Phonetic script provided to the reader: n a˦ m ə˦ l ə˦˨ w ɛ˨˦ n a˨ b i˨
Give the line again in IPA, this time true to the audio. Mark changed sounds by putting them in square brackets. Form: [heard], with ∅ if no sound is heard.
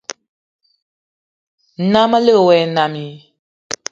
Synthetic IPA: n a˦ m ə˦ l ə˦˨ w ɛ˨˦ n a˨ [m] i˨